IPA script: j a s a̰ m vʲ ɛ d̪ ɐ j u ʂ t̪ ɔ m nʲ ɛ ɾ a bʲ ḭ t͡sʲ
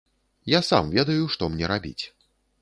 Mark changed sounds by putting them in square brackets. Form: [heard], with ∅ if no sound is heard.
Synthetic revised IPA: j a s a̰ m vʲ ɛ d̪ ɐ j u ʂ t̪ ɔ m nʲ ɛ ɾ a bʲ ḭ t͡sʲ